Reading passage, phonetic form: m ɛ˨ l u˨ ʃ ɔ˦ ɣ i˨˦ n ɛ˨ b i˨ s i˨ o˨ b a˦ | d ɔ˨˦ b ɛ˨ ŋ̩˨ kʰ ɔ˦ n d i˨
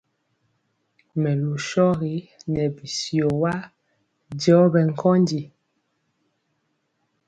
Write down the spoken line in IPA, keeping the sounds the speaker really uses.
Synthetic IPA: m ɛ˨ l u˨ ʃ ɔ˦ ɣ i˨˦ n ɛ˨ b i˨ s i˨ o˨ w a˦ | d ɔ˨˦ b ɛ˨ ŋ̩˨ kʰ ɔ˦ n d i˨